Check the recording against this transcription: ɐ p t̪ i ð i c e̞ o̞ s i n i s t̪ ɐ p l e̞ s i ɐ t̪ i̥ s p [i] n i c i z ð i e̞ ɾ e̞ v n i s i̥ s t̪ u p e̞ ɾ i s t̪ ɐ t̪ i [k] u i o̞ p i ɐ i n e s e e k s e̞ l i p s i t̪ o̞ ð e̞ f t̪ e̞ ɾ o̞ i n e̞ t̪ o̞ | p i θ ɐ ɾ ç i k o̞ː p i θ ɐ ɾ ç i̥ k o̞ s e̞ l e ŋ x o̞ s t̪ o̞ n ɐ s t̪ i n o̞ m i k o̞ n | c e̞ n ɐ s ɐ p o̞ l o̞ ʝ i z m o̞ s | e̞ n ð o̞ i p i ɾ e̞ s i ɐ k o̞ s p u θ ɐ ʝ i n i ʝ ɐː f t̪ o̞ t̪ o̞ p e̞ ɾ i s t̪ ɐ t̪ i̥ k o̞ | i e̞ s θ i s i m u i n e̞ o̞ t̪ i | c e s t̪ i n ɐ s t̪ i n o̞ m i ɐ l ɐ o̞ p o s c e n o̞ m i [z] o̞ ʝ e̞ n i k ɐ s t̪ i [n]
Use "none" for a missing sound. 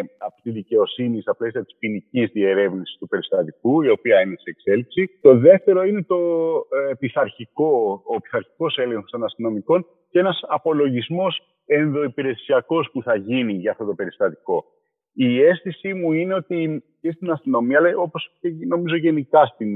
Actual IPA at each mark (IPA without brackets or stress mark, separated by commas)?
i, k, z, n